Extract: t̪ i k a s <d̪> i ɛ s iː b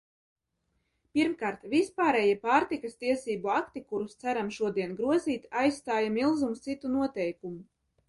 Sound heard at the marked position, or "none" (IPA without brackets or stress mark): t̪